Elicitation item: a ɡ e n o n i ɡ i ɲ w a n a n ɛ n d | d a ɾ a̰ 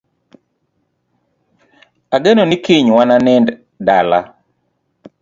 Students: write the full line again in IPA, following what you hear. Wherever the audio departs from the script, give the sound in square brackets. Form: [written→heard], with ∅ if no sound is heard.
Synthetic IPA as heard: a ɡ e n o n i [ɡ→k] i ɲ w a n a n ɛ n d | d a [ɾ→l] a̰